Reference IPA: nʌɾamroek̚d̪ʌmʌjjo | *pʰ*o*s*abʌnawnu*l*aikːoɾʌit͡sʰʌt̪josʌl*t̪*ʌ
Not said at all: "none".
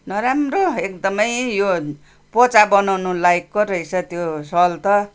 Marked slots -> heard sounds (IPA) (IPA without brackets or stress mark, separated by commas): p, t͡s, l, t̪